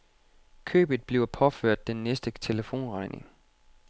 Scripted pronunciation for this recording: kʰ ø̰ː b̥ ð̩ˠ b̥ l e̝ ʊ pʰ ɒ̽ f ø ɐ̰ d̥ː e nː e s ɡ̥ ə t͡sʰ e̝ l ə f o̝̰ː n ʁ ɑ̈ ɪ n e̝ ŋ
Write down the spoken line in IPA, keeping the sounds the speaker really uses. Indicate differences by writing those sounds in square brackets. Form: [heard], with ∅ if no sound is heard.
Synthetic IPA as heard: kʰ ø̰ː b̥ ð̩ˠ b̥ l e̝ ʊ pʰ ɒ̽ f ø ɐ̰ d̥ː e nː e s [d̥] ə t͡sʰ e̝ l ə f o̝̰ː n ʁ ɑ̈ ɪ n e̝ ŋ